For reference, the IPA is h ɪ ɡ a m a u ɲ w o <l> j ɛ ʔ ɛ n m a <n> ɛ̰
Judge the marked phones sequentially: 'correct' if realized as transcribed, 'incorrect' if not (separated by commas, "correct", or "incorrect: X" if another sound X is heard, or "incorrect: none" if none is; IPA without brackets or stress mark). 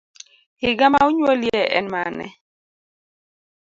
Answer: correct, correct